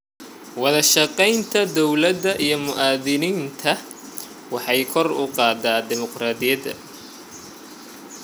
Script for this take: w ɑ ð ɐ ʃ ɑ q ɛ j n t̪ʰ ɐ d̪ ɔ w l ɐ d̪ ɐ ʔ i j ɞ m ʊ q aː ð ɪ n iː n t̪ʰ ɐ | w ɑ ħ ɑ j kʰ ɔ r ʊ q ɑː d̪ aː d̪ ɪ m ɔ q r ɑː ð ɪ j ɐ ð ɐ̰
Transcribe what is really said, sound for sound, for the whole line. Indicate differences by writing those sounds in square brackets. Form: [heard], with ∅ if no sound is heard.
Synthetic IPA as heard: w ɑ ð ɐ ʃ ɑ q ɛ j n t̪ʰ ɐ d̪ ɔ w l ɐ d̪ ɐ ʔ i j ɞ m ʊ [ʔ] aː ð ɪ n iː n t̪ʰ ɐ | w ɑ ħ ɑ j kʰ ɔ r ʊ q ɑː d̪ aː d̪ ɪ m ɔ q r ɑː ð ɪ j ɐ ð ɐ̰